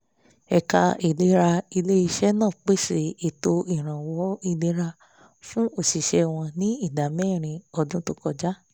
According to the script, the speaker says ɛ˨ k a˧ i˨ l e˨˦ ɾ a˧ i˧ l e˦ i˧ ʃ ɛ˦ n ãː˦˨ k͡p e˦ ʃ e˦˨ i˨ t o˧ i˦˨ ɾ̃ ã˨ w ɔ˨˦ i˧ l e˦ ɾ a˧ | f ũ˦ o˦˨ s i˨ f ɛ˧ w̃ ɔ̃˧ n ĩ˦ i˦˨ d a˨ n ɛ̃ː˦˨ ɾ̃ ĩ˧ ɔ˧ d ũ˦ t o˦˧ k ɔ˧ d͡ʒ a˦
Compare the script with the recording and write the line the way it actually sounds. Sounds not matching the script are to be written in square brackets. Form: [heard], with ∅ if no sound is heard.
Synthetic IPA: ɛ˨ k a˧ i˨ l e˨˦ ɾ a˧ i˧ l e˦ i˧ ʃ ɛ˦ n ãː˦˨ k͡p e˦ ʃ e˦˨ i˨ t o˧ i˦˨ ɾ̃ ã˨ w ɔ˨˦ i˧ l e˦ ɾ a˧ | f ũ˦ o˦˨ s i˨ [ʃ] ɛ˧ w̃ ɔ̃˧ n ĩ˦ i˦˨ d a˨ [m] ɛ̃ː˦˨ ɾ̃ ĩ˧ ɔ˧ d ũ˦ t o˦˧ k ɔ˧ d͡ʒ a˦

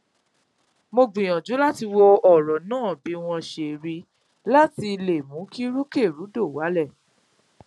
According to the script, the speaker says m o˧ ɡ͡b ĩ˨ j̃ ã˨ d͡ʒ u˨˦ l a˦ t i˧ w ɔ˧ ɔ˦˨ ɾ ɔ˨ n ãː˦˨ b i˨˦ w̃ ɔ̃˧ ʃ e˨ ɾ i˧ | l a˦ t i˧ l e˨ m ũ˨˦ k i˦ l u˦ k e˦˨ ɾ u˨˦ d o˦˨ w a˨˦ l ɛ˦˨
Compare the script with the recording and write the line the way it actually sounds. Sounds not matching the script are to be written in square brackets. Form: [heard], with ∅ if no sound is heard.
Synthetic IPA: m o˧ ɡ͡b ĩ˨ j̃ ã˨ d͡ʒ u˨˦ l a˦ t i˧ w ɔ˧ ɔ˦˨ ɾ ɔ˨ n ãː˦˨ b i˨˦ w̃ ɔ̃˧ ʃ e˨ ɾ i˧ | l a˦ t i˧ l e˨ m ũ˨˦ k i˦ [ɾ] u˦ k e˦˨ ɾ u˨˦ d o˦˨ w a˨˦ l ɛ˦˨

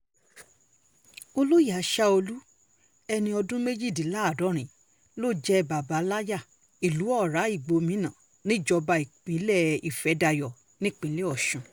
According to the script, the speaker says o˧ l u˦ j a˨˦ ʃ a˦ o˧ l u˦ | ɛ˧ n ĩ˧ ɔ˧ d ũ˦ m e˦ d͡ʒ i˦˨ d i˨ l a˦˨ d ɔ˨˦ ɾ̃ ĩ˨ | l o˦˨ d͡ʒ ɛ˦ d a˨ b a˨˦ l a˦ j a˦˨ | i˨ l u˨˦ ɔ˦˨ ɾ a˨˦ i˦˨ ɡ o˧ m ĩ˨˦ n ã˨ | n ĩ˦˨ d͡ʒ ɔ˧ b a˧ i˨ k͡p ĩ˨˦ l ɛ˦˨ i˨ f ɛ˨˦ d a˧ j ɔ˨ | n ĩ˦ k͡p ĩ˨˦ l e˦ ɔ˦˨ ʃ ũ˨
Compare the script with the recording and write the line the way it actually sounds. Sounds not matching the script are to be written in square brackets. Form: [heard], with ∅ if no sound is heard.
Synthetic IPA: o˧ l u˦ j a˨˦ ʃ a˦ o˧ l u˦ | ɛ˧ n ĩ˧ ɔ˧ d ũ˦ m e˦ d͡ʒ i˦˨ d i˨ l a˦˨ d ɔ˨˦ ɾ̃ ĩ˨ | l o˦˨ d͡ʒ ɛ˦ [b] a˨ b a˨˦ l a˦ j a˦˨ | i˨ l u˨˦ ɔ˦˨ ɾ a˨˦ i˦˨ [ɡ͡b] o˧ m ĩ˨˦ n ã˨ | n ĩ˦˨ d͡ʒ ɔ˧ b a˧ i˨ k͡p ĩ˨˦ l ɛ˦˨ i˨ f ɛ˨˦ d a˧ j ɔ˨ | n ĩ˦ k͡p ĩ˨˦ l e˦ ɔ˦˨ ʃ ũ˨

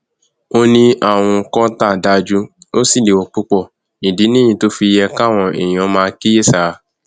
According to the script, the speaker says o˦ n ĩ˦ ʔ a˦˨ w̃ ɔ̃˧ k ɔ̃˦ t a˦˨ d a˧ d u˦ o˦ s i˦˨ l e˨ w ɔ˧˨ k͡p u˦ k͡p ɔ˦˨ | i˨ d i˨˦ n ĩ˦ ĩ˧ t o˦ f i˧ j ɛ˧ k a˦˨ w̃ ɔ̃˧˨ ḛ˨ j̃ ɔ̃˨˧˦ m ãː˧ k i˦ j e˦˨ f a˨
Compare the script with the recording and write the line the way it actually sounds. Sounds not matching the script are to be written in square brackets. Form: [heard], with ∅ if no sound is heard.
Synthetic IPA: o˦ n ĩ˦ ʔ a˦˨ w̃ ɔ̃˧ k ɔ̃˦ t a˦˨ d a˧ [d͡ʒ] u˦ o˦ s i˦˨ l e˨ w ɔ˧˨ k͡p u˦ k͡p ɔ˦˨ | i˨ d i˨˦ n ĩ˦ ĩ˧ t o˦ f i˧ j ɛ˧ k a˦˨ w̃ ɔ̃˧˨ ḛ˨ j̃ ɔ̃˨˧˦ m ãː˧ k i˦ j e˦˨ [s] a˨

